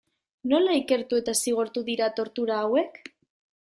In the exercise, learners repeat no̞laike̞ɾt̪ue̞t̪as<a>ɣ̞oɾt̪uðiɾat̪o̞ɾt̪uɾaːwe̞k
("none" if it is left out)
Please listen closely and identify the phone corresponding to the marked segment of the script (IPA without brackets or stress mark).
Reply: i